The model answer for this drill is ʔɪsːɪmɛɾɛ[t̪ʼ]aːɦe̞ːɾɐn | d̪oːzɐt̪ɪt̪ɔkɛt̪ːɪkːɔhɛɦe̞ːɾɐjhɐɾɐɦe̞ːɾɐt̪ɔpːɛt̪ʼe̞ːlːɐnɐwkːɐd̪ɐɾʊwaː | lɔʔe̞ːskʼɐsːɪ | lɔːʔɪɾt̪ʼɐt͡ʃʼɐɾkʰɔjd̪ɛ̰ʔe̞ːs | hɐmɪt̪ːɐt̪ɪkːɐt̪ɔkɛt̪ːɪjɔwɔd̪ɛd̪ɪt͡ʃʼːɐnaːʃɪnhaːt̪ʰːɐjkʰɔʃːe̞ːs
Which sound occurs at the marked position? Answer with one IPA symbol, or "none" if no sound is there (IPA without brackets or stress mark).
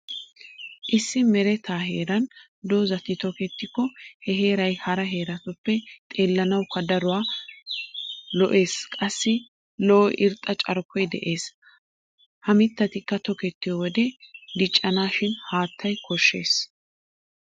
t̪